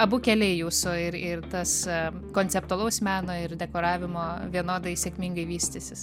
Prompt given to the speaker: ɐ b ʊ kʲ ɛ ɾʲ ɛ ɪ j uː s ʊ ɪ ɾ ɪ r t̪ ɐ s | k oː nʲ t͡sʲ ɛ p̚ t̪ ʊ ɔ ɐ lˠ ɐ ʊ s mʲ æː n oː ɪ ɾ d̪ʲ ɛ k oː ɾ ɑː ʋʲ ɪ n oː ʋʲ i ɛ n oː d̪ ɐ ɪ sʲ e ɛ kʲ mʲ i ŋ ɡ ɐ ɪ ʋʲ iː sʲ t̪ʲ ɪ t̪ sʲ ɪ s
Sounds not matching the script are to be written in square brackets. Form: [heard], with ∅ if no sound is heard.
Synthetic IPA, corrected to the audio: ɐ b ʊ kʲ ɛ [lʲ] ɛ ɪ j uː s ʊ ɪ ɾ ɪ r t̪ ɐ s | k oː nʲ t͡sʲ ɛ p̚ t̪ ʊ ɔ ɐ lˠ ɐ ʊ s mʲ æː n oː ɪ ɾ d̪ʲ ɛ k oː ɾ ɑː ʋʲ ɪ [m] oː ʋʲ i ɛ n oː d̪ ɐ ɪ sʲ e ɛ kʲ mʲ i ŋ ɡ ɐ ɪ ʋʲ iː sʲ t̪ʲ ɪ [∅] sʲ ɪ s